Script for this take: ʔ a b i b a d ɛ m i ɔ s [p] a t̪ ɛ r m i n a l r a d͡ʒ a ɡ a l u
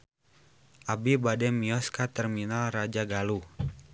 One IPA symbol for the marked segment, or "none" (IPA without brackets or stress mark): k